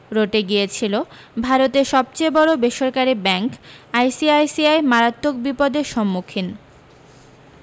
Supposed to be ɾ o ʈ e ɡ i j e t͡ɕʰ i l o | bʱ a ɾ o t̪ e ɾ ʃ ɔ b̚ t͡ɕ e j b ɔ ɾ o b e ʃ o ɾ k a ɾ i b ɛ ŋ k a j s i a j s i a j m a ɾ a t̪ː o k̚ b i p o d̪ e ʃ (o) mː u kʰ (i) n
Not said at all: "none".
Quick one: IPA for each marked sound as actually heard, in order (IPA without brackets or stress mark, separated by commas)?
ɔ, i